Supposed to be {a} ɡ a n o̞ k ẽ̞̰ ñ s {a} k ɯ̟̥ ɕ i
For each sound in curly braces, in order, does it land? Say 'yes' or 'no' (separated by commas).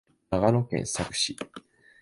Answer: yes, yes